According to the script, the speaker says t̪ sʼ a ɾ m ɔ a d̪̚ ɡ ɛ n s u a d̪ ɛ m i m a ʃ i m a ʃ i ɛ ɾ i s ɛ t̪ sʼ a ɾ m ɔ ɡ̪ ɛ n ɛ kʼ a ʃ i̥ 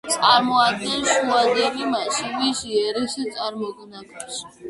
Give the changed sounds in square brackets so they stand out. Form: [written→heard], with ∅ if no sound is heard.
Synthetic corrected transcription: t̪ sʼ a ɾ m ɔ a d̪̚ ɡ ɛ n [s→ʃ] u a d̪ ɛ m i m a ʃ i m [a→i] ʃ i ɛ ɾ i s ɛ t̪ sʼ a ɾ m ɔ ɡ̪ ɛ n [ɛ→a] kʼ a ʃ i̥

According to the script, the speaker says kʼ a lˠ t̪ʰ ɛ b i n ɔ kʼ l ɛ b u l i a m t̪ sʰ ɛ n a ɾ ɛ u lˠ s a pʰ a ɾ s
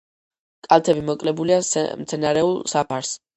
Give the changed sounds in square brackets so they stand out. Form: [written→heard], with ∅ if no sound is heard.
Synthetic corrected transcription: kʼ a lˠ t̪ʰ ɛ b i [n→m] ɔ kʼ l ɛ b u l i a m t̪ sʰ ɛ n a ɾ ɛ u lˠ s a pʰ a ɾ s

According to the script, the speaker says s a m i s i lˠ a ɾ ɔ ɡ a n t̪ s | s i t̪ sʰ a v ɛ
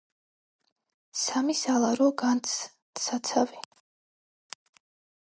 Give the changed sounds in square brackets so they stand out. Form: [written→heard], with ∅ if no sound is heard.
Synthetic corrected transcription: s a m i s [i→a] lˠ a ɾ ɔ ɡ a n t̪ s | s [i→a] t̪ sʰ a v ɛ

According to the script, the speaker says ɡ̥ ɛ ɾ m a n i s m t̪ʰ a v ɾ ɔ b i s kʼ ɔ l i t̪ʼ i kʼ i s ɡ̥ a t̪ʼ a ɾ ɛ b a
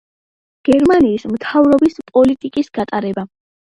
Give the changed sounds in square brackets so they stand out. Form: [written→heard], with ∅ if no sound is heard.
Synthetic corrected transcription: ɡ̥ ɛ ɾ m a n [i→iː] s m t̪ʰ a v ɾ ɔ b i s [kʼ→pʼ] ɔ l i t̪ʼ i kʼ i s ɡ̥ a t̪ʼ a ɾ ɛ b a

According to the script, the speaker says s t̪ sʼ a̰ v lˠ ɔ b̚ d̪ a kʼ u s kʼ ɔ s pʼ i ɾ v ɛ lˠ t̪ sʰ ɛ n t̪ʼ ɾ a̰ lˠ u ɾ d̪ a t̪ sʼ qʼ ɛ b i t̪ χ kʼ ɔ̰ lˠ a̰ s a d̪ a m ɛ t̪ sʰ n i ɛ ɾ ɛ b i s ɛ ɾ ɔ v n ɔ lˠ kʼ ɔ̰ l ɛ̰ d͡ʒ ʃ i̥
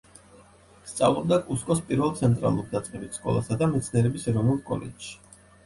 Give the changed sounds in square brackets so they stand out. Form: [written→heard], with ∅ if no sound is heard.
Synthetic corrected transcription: s t̪ sʼ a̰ v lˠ ɔ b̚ d̪ a kʼ u s kʼ ɔ s pʼ i ɾ v ɛ lˠ t̪ sʰ ɛ n t̪ʼ ɾ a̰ lˠ u ɾ d̪ a t̪ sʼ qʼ ɛ b i t̪ [χ→s] kʼ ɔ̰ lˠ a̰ s a d̪ a m ɛ t̪ sʰ n i ɛ ɾ ɛ b i s ɛ ɾ ɔ v n [ɔ→u] lˠ kʼ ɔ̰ l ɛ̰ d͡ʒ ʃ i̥

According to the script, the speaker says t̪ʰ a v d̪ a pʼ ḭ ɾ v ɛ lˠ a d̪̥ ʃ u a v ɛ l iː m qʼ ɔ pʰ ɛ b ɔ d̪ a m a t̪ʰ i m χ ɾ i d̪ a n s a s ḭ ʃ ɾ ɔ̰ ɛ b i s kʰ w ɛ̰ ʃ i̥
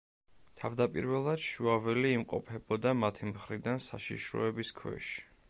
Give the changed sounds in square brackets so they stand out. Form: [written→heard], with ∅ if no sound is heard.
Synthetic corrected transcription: t̪ʰ a v d̪ a pʼ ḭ ɾ v ɛ lˠ a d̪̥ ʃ u a v ɛ l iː m qʼ ɔ pʰ ɛ b ɔ d̪ a m a t̪ʰ i m χ ɾ i d̪ a n s a [s→ʃ] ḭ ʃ ɾ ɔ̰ ɛ b i s kʰ w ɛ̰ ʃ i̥

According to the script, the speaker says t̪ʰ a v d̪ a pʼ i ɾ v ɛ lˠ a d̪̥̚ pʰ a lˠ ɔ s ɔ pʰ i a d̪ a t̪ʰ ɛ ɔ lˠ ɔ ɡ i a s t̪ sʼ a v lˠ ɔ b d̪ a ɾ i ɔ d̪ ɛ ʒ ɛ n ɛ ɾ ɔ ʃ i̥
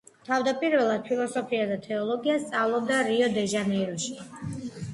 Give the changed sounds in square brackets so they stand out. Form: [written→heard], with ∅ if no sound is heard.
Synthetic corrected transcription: t̪ʰ a v d̪ a pʼ i ɾ v ɛ lˠ a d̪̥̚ pʰ [a→i] lˠ ɔ s ɔ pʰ i a d̪ a t̪ʰ ɛ ɔ lˠ ɔ ɡ i a s t̪ sʼ a v lˠ ɔ b d̪ a ɾ i ɔ d̪ ɛ ʒ [ɛ→a] n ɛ ɾ ɔ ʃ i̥

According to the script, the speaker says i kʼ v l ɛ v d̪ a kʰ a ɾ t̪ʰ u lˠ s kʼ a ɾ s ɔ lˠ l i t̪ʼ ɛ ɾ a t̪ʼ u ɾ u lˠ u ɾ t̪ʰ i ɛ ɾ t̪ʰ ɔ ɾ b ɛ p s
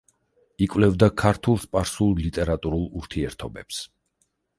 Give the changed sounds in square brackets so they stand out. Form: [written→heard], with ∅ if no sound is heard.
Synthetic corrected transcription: i kʼ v l ɛ v d̪ a kʰ a ɾ t̪ʰ u lˠ s [kʼ→pʼ] a ɾ s [ɔ→u] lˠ l i t̪ʼ ɛ ɾ a t̪ʼ u ɾ u lˠ u ɾ t̪ʰ i ɛ ɾ t̪ʰ ɔ [ɾ→∅] b ɛ p s

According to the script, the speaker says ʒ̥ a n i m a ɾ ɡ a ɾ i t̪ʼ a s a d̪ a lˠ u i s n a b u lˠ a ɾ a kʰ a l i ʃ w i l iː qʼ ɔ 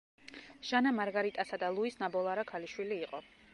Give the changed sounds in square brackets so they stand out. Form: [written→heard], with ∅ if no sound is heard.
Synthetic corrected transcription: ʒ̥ a n [i→a] m a ɾ ɡ a ɾ i t̪ʼ a s a d̪ a lˠ u i s n a b [u→ɔ] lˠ a ɾ a kʰ a l i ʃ w i l iː qʼ ɔ

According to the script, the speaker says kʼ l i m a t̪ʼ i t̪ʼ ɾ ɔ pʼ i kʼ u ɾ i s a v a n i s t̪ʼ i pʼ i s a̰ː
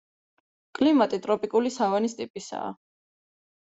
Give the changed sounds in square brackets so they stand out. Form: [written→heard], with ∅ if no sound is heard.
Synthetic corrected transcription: kʼ l i m a t̪ʼ i t̪ʼ ɾ ɔ pʼ i kʼ u [ɾ→l] i s a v a n i s t̪ʼ i pʼ i s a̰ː

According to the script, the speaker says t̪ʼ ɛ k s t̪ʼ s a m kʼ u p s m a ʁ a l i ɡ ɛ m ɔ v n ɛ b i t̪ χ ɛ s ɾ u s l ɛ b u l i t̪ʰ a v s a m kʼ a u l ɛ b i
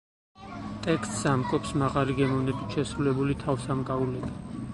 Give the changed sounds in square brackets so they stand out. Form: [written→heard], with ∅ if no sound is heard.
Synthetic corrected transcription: t̪ʼ ɛ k s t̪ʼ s a m kʼ [u→ɔ] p s m a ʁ a l i ɡ ɛ m ɔ v n ɛ b i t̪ [χ→ʃ] ɛ s ɾ u [s→∅] l ɛ b u l i t̪ʰ a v s a m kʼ a u l ɛ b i

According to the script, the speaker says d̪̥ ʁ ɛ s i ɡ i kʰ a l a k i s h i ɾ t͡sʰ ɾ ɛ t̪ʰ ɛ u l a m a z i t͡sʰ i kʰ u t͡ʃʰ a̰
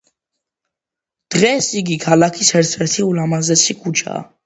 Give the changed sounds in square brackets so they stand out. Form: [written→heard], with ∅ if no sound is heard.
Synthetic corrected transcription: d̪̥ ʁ ɛ s i ɡ i kʰ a l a [k→kʰ] i s h [i→ɛ] ɾ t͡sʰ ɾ ɛ t̪ʰ [ɛ→i] u l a m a z [i→ɛ] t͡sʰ i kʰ u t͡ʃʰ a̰

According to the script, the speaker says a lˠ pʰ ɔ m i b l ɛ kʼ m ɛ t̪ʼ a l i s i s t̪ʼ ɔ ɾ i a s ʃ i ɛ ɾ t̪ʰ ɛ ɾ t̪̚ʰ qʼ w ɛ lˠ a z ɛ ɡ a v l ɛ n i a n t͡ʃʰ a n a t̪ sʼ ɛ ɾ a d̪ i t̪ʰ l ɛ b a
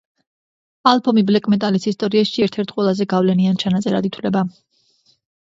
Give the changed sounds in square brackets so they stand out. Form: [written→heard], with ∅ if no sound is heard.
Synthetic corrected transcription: a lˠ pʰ ɔ m i b l ɛ kʼ m ɛ t̪ʼ a l i s i s t̪ʼ ɔ ɾ i a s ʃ i ɛ ɾ t̪ʰ ɛ ɾ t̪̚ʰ qʼ w ɛ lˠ a z ɛ ɡ a v l ɛ n i a n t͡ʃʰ a n a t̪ sʼ ɛ ɾ a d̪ i t̪ʰ l ɛ b a

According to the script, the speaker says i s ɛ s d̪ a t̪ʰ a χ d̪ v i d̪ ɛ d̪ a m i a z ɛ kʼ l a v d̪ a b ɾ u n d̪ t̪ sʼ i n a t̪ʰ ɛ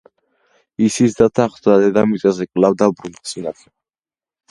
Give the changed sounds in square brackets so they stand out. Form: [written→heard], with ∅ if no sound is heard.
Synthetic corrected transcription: i s [ɛ→i] s d̪ a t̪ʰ a χ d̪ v [i→a] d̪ ɛ d̪ a m i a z ɛ kʼ l a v d̪ a b ɾ u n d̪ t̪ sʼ i n a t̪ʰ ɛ

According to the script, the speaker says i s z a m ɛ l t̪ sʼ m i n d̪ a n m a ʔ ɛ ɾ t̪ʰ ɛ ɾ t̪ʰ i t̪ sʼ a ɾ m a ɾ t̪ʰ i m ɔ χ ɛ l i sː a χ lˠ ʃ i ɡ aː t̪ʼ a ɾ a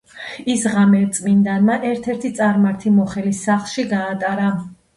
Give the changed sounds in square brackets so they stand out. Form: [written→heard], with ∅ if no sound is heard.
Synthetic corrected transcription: i s [z→ʁ] a m ɛ [l→ɾ] t̪ sʼ m i n d̪ a n m a ʔ ɛ ɾ t̪ʰ ɛ ɾ t̪ʰ i t̪ sʼ a ɾ m a ɾ t̪ʰ i m ɔ χ ɛ l i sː a χ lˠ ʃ i ɡ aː t̪ʼ a ɾ a

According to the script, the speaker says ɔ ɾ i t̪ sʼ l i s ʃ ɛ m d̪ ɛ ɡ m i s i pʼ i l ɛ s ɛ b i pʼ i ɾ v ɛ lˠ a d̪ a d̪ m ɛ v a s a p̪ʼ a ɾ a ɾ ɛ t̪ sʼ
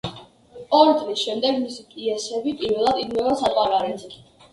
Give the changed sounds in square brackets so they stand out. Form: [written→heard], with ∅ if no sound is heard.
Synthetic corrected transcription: ɔ ɾ i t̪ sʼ l i s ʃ ɛ m d̪ ɛ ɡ m i s i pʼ i [l→∅] ɛ s ɛ b i pʼ i ɾ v ɛ lˠ a d̪ [a→i] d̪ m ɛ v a s a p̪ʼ a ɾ a ɾ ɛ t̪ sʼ

